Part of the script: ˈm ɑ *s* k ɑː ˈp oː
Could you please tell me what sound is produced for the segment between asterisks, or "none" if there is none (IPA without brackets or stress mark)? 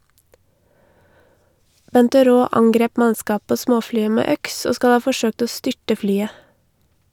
s